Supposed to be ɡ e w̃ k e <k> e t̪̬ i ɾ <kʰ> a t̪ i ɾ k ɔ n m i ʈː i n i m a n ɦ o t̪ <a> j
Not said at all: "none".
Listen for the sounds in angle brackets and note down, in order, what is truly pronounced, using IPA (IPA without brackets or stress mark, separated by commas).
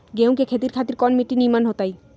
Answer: kʰ, kʰ, a